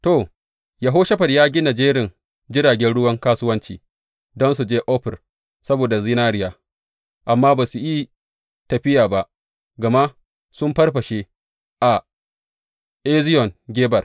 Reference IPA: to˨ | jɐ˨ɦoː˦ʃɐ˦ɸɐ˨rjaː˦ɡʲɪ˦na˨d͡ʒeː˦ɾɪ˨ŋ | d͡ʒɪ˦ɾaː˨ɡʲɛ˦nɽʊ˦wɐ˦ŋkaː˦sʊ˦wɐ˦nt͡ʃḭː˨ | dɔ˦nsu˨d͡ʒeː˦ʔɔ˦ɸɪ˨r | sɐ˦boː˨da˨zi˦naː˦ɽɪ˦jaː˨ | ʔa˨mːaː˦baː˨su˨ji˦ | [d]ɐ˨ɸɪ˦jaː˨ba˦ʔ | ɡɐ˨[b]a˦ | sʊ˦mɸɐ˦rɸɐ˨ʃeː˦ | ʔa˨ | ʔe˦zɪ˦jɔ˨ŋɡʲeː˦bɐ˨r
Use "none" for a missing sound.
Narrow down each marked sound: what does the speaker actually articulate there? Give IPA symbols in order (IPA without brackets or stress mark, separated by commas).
t, m